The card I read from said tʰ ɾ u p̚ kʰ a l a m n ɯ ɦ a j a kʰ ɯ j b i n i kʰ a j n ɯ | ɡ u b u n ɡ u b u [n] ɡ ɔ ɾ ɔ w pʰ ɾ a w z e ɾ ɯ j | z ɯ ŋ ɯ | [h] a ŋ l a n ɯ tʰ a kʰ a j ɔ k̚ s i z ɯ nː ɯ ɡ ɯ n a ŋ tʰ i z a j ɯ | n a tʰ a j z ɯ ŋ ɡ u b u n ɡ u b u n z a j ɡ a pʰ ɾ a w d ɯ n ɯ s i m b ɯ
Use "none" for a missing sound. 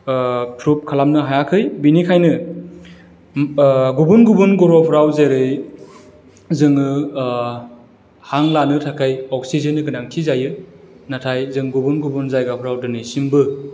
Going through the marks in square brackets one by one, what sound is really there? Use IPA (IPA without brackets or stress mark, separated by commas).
n, h